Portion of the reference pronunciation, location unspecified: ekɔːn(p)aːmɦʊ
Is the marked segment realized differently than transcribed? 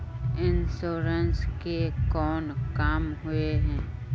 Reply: yes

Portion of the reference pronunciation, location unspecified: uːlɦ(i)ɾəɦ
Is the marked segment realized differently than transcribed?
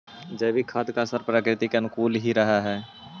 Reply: no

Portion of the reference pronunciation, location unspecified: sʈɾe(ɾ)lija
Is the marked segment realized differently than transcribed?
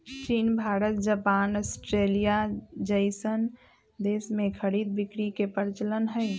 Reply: yes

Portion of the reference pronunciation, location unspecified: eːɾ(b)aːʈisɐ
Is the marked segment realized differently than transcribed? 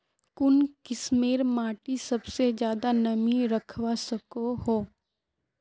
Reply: yes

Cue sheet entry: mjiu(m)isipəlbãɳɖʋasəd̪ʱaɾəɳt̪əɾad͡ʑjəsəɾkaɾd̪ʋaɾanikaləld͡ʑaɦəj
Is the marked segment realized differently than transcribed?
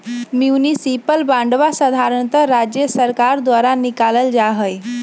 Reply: yes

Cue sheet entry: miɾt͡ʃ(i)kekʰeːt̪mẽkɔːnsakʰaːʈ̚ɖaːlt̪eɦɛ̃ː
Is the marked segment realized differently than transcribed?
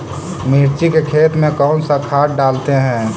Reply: no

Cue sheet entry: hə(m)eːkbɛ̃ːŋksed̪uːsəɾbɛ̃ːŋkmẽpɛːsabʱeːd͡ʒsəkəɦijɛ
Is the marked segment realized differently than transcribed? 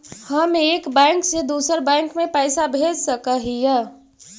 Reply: no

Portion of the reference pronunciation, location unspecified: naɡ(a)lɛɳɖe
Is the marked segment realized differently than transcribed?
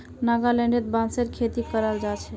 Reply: no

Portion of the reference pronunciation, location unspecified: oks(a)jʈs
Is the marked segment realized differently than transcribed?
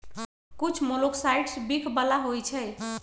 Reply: no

